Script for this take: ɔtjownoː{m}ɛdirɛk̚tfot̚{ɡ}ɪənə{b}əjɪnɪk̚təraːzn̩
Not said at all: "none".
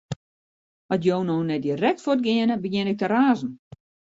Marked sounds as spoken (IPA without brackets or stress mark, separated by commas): n, ɡ, b